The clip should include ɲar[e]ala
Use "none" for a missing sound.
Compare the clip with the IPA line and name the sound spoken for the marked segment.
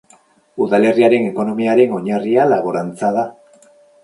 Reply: i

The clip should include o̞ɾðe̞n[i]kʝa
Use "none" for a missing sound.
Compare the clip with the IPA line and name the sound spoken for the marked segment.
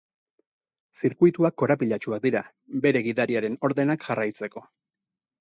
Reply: a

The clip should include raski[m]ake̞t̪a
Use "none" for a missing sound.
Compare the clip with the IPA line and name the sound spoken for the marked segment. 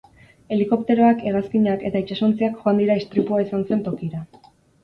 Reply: ɲ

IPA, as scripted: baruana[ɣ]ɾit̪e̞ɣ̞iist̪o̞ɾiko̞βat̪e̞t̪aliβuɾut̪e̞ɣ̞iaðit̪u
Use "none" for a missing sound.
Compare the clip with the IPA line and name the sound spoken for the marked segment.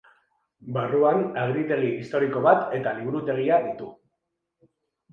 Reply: ɣ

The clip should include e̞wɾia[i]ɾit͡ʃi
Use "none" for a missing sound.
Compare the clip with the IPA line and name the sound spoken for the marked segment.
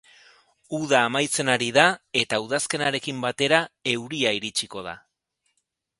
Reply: i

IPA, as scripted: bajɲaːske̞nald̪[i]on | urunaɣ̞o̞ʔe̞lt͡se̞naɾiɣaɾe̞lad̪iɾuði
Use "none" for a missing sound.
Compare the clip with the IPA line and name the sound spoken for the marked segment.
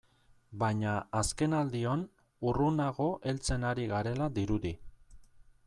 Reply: i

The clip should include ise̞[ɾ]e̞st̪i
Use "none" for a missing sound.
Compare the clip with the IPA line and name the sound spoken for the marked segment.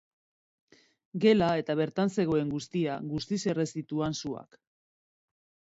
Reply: r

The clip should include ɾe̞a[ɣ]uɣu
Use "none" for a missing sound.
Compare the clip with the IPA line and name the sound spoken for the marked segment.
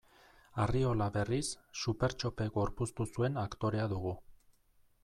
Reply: ð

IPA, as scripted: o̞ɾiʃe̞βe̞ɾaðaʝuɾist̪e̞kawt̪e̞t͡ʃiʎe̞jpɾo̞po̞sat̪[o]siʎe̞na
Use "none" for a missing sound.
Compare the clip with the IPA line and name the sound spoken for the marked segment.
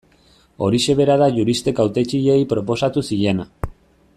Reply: u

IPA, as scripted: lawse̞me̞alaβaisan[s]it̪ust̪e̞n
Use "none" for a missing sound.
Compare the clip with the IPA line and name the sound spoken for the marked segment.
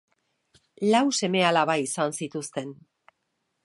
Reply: s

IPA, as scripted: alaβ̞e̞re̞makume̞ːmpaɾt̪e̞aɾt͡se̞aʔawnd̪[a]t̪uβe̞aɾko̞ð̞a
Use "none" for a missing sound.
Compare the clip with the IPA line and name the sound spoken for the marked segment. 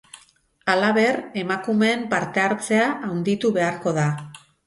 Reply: i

